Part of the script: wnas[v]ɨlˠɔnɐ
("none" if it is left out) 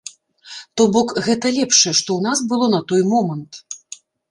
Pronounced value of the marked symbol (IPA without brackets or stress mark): b